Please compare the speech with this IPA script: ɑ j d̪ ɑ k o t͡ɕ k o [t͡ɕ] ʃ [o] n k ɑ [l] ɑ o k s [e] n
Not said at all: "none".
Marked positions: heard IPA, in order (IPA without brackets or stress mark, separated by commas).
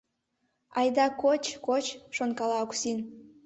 t͡ɕ, o, l, i